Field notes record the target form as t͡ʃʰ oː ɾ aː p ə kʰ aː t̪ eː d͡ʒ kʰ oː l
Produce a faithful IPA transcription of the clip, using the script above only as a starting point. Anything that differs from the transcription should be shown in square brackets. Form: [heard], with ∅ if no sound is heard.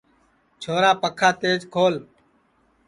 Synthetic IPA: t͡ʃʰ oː ɾ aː p ə kʰ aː t̪ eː d͡ʒ kʰ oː l